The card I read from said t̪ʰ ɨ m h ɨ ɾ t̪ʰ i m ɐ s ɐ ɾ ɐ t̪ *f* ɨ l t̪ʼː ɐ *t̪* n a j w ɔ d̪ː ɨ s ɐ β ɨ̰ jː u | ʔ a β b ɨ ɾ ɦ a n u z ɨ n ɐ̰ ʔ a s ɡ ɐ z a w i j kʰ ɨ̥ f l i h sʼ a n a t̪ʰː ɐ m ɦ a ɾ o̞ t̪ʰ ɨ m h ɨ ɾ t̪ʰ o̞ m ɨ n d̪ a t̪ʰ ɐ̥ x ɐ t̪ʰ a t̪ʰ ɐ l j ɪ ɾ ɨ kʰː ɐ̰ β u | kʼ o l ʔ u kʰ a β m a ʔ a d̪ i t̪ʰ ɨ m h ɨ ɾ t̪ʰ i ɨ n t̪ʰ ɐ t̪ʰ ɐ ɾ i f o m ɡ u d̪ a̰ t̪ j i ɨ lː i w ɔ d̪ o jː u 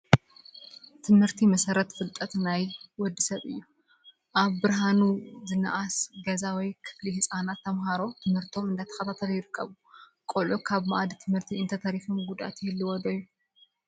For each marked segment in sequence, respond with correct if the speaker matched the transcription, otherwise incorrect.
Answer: correct, correct

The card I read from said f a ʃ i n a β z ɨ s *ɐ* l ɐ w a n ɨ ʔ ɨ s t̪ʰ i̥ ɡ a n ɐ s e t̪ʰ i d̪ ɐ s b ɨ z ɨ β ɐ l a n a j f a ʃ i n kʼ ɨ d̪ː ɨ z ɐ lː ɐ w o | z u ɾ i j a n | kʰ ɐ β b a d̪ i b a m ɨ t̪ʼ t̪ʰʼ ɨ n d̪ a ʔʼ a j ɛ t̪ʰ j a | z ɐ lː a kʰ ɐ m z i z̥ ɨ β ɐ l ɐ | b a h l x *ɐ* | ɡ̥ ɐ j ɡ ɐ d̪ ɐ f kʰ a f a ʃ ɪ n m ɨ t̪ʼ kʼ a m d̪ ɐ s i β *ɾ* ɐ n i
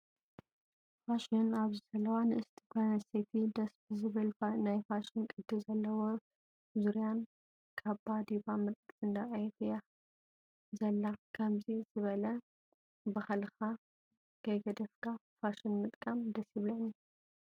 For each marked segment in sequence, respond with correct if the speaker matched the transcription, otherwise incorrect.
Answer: correct, incorrect: a, incorrect: l

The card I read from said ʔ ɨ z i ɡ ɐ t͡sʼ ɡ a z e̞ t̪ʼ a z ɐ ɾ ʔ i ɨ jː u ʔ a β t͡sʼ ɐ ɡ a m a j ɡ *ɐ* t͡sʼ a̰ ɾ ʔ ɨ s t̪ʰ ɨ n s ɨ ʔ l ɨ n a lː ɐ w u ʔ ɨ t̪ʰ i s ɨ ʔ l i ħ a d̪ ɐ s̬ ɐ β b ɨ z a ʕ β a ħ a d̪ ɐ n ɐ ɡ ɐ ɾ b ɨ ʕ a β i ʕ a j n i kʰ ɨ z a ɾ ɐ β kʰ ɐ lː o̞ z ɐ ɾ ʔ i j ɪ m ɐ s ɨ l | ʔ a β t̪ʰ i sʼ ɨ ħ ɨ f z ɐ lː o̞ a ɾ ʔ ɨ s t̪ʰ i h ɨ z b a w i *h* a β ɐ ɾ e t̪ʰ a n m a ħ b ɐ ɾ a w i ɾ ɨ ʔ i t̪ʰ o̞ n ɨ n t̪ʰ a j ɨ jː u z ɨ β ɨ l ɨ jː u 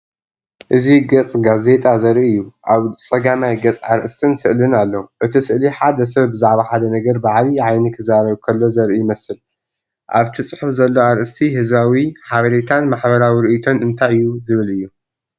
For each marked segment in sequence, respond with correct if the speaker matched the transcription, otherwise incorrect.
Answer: correct, incorrect: ħ

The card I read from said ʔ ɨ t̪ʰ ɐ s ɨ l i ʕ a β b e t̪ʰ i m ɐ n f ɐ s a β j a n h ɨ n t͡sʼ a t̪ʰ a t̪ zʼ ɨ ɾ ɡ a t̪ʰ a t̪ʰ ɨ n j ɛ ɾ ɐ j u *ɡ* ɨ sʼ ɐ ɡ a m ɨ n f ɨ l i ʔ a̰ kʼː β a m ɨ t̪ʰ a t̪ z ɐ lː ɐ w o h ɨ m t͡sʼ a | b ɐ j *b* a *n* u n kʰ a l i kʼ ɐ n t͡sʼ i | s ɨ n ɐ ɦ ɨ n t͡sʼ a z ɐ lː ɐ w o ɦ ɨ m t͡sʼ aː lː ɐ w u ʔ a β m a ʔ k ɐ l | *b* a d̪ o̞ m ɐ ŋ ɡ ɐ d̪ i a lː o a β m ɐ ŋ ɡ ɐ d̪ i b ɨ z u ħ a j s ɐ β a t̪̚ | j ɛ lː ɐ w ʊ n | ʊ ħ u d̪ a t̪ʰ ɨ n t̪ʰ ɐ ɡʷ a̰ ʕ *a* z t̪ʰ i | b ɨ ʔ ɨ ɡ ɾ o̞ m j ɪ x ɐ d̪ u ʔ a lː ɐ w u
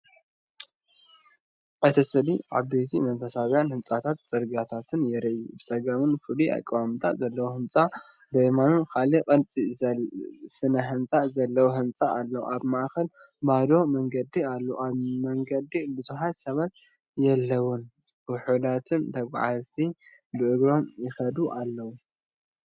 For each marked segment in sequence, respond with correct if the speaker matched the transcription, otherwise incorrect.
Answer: incorrect: b, incorrect: m, correct, correct, correct

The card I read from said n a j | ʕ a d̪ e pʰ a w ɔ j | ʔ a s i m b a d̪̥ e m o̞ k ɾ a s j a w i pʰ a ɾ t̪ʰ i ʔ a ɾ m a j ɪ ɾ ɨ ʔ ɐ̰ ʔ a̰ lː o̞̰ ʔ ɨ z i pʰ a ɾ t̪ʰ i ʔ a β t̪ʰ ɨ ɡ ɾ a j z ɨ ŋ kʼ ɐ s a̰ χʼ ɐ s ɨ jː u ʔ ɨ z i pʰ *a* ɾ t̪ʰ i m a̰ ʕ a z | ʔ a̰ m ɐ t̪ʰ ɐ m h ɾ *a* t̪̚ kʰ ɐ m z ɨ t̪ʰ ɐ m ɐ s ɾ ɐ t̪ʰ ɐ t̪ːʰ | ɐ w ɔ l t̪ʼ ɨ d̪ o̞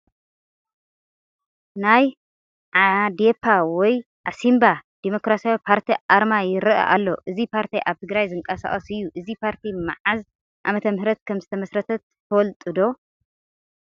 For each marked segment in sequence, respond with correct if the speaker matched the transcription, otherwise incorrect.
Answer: correct, incorrect: ɐ

